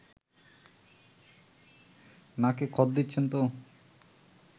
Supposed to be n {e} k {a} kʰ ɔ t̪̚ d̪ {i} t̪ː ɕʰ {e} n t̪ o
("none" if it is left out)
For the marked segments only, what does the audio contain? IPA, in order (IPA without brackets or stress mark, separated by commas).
a, e, i, e